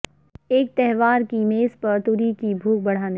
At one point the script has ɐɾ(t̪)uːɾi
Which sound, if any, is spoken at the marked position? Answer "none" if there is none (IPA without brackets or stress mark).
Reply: t̪